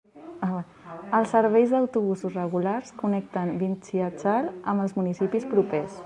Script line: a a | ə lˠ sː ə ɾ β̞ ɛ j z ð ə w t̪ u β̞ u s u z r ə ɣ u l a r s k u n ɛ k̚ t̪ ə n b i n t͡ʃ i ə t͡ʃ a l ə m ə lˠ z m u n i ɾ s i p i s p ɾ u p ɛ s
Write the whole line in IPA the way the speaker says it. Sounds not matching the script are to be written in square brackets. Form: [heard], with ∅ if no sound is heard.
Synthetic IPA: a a | ə lˠ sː ə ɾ β̞ ɛ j z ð ə w t̪ u β̞ u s u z r ə ɣ u l a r s k u n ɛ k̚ t̪ ə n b i n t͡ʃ i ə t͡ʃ a l ə m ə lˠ z m u n i [∅] s i p i s p ɾ u p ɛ s